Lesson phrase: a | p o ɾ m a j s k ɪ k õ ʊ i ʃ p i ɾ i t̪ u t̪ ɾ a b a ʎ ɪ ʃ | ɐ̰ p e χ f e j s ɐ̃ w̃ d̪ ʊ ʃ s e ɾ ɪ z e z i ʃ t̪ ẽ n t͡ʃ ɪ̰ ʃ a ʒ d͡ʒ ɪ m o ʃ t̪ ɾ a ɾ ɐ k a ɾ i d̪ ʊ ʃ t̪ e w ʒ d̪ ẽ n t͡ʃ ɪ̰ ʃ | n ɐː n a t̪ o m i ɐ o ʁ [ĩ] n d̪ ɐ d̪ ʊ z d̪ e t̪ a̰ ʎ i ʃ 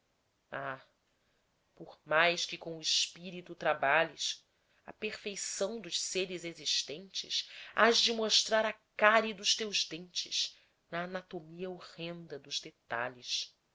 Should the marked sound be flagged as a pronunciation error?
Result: yes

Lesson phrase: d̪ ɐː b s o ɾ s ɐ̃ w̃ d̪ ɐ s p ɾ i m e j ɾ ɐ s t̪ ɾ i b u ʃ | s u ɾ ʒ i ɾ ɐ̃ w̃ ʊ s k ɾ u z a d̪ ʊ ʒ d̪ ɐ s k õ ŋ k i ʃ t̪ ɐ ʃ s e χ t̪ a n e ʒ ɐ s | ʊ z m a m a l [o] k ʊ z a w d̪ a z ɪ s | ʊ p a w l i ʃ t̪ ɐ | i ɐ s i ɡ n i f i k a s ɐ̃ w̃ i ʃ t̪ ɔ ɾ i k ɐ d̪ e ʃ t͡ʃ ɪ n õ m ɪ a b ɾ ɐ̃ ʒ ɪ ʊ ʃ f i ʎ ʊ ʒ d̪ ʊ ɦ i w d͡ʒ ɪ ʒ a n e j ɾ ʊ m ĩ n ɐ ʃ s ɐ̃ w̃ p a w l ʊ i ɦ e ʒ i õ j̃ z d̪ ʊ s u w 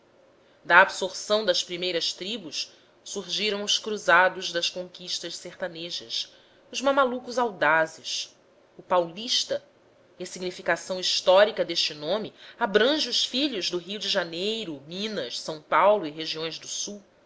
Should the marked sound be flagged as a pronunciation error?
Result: yes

